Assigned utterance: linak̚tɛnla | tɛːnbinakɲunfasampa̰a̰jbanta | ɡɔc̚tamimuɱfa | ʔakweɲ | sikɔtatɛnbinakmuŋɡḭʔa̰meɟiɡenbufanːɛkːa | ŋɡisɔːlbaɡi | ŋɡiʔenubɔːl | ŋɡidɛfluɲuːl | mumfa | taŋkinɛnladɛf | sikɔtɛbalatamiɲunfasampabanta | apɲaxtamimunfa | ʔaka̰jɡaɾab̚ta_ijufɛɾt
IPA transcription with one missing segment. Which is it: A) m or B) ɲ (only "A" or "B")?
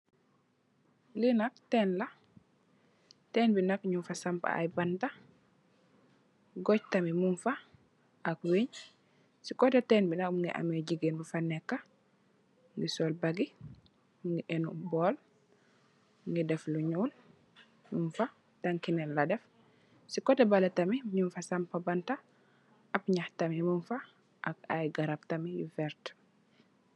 A